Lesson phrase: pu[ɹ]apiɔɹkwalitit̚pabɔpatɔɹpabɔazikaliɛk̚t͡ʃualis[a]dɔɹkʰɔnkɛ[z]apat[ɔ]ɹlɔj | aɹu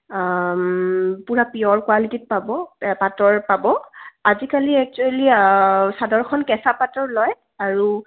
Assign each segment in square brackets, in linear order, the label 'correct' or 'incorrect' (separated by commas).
correct, correct, incorrect, correct